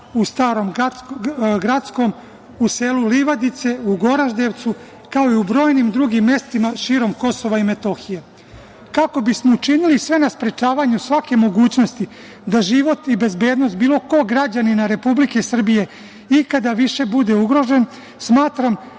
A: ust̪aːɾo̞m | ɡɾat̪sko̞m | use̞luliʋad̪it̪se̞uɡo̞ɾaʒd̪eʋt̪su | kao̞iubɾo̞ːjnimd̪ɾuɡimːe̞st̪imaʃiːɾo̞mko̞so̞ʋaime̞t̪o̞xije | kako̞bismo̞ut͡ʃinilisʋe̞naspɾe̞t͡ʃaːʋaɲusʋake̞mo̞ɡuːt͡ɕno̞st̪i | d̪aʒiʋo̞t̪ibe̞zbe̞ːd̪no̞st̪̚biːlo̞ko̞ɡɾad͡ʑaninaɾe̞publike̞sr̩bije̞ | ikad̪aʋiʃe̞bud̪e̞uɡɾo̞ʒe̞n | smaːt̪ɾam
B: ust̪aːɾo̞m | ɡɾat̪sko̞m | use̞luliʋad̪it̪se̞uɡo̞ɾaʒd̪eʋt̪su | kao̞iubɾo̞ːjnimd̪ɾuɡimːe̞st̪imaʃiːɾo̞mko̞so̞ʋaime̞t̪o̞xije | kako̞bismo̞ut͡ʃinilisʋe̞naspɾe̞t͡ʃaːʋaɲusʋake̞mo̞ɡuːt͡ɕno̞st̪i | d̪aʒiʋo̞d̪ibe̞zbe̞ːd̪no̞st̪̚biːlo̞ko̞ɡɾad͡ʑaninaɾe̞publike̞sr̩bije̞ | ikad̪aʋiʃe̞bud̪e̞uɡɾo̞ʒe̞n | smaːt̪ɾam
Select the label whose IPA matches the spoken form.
A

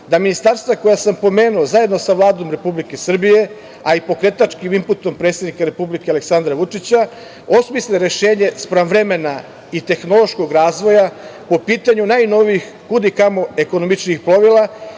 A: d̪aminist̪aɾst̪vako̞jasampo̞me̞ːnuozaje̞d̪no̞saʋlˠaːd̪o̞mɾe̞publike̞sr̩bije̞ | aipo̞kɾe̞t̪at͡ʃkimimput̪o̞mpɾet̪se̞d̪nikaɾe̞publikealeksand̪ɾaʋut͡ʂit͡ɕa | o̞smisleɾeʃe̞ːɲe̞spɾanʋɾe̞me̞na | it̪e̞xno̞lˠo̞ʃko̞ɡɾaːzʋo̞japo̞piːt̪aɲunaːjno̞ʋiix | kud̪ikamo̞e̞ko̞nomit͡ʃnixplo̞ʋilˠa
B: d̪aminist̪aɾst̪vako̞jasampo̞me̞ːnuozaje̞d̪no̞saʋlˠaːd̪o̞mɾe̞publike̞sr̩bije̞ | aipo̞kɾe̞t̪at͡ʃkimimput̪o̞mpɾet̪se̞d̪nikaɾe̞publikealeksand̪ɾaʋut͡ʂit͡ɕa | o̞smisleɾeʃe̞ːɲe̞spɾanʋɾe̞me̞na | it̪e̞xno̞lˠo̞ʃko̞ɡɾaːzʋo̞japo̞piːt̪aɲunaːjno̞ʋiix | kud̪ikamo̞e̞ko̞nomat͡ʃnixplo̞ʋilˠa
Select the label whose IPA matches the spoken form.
A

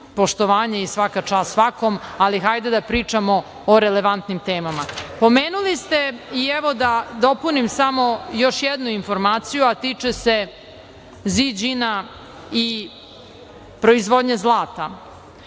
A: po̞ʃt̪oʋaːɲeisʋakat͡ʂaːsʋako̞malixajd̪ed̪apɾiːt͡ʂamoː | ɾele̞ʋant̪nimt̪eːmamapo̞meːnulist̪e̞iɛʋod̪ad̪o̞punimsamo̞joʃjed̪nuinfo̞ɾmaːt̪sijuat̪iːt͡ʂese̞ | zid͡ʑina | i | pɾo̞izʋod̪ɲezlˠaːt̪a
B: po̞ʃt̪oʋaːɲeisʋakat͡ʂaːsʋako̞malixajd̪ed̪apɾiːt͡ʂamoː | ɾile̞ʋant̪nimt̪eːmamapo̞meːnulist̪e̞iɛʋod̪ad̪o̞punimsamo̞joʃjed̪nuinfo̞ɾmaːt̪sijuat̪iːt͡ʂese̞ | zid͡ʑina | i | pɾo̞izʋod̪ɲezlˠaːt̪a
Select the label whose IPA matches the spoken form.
A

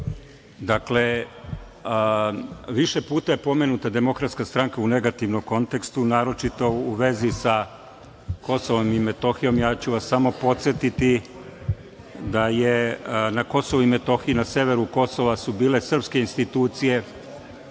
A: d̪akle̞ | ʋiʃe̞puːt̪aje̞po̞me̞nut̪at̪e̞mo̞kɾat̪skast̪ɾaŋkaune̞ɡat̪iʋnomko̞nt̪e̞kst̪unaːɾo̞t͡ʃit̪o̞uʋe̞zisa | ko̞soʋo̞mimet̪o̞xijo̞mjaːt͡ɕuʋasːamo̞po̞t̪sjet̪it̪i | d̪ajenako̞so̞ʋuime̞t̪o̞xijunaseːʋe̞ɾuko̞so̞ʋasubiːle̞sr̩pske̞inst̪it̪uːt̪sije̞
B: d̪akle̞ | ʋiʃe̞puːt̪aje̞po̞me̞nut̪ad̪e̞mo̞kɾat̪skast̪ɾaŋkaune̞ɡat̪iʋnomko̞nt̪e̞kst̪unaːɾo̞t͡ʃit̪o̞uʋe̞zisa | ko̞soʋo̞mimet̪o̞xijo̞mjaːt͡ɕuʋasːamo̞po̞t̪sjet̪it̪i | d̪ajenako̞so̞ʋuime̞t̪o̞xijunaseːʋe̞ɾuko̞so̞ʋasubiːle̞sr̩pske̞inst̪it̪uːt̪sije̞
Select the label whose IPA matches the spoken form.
B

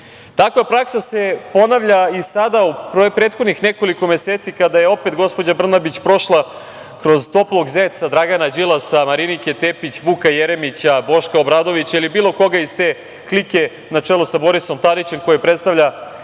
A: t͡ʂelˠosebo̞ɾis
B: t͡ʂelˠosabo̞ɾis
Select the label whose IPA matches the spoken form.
B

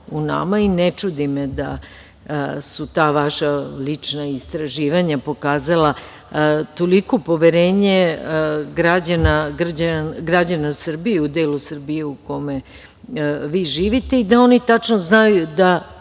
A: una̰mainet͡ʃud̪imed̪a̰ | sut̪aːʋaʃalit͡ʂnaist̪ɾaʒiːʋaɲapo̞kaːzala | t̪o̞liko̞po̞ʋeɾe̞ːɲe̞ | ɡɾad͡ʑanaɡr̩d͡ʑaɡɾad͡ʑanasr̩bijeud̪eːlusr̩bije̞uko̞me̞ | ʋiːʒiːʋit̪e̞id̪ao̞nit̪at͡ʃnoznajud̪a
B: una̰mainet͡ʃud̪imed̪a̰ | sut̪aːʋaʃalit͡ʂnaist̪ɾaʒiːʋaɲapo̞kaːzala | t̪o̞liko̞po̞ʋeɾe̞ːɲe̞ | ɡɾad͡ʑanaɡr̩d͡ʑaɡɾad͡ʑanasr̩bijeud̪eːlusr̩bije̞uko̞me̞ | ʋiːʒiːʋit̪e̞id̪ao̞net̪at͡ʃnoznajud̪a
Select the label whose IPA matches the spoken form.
A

